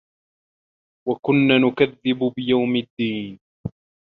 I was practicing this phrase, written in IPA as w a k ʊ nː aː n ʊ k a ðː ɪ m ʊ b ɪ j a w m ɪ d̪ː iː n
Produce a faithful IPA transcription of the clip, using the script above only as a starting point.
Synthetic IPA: w a k ʊ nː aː n ʊ k a ðː ɪ b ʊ b ɪ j a w m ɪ d̪ː iː n